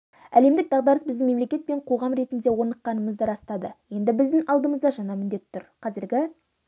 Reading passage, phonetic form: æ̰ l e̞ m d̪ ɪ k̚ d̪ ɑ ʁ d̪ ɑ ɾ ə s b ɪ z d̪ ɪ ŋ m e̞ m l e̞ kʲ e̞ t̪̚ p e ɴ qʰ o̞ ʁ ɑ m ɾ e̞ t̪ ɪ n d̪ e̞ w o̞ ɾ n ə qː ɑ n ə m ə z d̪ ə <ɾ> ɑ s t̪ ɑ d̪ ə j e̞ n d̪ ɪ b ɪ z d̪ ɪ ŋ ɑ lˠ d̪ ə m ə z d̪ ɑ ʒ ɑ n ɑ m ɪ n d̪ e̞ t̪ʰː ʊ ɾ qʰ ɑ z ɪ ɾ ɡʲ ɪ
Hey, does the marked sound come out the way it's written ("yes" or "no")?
yes